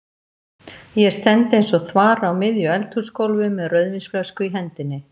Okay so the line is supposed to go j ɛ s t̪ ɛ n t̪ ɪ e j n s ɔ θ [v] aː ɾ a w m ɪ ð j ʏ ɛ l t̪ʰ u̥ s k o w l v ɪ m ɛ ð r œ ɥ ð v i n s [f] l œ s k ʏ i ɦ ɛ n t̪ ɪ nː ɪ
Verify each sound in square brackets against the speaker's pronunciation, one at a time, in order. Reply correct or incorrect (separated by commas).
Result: correct, correct